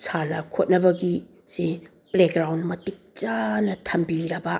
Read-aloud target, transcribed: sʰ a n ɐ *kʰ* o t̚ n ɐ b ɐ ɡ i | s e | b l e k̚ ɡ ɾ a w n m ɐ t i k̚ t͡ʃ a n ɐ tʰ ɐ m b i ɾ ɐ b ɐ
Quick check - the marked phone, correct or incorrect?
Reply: correct